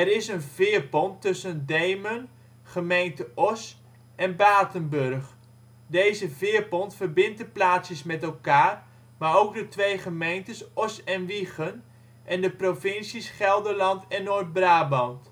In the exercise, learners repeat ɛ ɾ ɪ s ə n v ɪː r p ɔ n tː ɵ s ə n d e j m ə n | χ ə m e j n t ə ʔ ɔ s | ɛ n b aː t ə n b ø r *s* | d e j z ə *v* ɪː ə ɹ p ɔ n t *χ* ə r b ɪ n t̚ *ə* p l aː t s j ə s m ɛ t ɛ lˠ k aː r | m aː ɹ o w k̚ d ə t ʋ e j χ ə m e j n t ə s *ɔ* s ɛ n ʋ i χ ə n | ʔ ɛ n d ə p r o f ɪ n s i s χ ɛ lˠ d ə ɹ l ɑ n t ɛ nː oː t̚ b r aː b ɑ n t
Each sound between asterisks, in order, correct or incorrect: incorrect, correct, incorrect, correct, correct

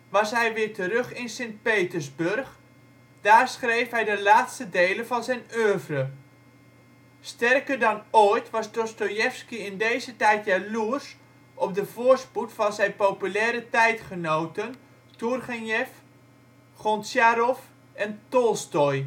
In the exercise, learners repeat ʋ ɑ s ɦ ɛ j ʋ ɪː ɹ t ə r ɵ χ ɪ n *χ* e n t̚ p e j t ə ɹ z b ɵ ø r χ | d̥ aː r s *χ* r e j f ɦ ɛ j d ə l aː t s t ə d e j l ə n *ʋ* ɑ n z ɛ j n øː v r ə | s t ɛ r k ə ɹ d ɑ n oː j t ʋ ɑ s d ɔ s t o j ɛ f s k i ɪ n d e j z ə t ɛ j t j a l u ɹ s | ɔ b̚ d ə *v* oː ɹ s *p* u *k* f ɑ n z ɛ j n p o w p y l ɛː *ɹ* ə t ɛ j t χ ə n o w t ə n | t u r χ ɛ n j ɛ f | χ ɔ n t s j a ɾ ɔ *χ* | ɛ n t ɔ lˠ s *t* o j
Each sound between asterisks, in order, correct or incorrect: incorrect, correct, incorrect, correct, correct, incorrect, incorrect, incorrect, correct

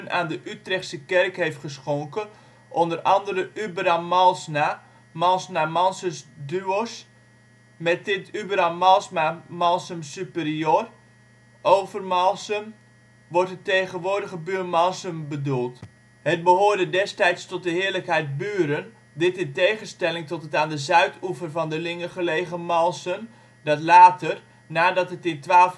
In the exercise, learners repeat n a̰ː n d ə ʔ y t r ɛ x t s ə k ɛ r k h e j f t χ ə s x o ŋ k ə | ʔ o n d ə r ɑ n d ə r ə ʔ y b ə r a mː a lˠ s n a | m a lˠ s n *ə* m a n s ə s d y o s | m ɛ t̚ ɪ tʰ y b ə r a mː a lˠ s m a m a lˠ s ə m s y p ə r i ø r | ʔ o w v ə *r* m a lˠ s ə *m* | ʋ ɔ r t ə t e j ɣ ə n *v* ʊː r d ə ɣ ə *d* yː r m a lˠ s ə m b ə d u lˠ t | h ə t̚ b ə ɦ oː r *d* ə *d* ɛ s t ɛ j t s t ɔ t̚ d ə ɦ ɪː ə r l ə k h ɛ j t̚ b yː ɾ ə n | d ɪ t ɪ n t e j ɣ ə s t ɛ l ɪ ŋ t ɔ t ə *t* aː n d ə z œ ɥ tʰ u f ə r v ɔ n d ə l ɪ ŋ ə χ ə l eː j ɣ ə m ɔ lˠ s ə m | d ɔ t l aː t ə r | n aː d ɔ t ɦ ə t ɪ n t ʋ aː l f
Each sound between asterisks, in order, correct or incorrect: incorrect, correct, correct, incorrect, incorrect, correct, correct, correct

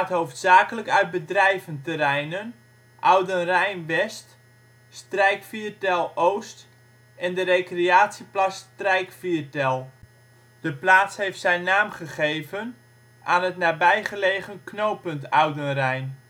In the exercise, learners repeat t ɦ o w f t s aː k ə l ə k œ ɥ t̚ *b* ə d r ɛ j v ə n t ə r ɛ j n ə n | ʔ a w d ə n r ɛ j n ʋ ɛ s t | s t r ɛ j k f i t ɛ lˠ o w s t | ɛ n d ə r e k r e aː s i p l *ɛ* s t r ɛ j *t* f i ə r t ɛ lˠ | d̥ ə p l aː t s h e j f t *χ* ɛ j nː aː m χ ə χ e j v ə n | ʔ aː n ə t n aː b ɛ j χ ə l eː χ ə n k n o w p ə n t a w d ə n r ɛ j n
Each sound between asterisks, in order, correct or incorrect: correct, incorrect, incorrect, incorrect

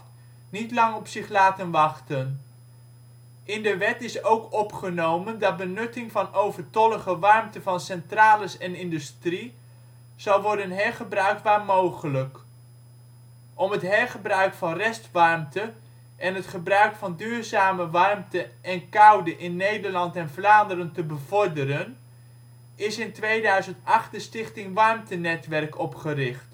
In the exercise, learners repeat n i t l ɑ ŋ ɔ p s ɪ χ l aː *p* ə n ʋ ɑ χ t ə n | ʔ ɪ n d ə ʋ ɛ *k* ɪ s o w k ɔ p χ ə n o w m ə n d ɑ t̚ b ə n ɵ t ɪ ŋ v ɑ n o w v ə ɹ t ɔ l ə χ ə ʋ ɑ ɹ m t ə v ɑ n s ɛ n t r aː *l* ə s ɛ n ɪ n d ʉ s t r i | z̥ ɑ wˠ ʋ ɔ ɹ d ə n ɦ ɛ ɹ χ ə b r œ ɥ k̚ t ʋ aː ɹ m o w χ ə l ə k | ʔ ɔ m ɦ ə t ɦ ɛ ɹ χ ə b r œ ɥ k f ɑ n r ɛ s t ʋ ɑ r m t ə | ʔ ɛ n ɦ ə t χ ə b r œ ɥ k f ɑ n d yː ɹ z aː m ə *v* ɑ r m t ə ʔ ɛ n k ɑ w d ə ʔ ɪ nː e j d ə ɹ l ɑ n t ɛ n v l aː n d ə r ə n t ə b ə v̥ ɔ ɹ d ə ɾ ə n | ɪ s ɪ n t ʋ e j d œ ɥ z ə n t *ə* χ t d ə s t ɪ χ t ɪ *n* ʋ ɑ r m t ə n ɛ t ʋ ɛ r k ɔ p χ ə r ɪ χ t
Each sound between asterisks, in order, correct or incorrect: incorrect, incorrect, correct, incorrect, incorrect, incorrect

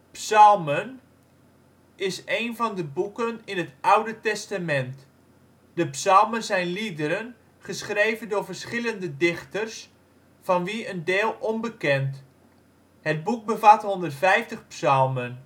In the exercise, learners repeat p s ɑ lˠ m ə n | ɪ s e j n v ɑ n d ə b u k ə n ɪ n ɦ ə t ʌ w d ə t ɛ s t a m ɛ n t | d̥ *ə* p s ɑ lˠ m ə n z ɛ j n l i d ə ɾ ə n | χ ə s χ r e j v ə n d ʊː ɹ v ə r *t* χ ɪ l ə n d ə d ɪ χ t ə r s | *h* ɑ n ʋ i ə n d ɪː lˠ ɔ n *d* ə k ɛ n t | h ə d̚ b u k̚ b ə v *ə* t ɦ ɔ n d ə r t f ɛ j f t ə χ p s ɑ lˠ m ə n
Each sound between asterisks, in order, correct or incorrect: correct, incorrect, incorrect, incorrect, incorrect

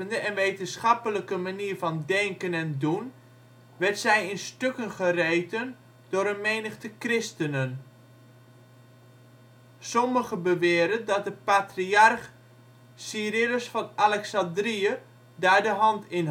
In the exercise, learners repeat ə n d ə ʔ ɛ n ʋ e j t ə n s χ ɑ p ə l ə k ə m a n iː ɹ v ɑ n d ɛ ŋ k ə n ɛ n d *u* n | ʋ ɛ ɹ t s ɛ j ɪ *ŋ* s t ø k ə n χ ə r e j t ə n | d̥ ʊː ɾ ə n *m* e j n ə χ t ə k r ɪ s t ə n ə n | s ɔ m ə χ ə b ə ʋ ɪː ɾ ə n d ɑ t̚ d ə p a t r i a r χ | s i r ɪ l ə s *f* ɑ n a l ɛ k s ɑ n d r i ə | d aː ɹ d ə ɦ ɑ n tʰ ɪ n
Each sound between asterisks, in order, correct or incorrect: correct, incorrect, correct, correct

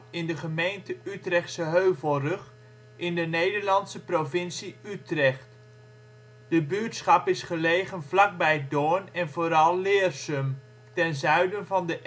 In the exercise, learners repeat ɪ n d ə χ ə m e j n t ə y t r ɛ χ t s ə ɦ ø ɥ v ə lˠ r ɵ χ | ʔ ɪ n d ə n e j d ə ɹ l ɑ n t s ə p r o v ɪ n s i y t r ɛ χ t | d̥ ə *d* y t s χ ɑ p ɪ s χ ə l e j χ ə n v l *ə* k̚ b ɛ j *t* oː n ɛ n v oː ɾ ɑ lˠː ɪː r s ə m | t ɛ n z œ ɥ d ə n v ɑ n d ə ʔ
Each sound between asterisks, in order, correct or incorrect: incorrect, incorrect, incorrect

